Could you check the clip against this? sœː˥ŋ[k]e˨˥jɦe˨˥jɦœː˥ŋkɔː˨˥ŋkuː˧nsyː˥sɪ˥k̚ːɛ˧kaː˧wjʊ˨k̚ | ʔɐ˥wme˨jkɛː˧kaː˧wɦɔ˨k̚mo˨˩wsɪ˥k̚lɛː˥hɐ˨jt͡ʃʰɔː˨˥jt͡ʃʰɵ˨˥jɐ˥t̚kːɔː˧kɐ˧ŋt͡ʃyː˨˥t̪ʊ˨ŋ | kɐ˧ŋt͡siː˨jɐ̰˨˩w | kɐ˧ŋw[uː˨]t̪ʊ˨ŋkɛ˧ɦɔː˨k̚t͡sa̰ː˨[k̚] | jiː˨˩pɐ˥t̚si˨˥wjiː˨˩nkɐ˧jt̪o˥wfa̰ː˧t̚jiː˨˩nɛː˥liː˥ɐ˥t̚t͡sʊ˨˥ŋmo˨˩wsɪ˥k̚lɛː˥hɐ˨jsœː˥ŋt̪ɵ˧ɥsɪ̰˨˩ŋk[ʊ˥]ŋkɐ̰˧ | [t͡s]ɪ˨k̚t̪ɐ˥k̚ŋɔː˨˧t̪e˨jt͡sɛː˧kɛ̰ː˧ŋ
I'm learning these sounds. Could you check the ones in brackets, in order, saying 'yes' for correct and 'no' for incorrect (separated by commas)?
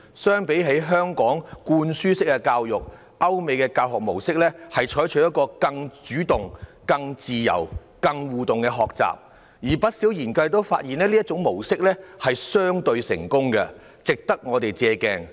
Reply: no, yes, no, yes, yes